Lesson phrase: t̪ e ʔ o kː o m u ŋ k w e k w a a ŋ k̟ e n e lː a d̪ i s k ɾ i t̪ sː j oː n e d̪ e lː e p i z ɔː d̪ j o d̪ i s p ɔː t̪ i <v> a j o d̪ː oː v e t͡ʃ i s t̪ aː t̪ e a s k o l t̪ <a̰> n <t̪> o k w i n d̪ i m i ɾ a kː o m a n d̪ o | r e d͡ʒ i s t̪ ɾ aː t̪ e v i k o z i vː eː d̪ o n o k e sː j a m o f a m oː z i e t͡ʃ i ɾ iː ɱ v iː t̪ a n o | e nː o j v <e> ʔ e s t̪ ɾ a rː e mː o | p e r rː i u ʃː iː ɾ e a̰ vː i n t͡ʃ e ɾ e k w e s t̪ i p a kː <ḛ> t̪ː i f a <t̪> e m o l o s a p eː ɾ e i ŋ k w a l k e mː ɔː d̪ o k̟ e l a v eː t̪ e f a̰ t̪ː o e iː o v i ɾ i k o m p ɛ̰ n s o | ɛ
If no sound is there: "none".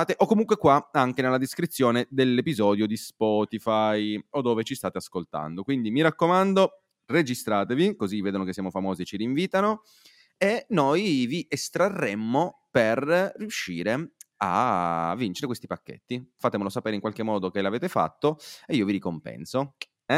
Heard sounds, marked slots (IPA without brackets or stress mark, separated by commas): f, a̰, d̪, i, ḛ, t̪